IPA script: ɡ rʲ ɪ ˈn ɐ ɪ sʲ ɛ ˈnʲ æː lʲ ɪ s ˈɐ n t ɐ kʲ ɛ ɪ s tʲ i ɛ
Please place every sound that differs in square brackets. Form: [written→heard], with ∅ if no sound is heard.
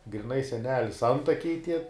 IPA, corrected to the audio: ɡ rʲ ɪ ˈn ɐ ɪ sʲ ɛ ˈnʲ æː lʲ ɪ s ˈɐ n t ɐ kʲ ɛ ɪ [s→∅] tʲ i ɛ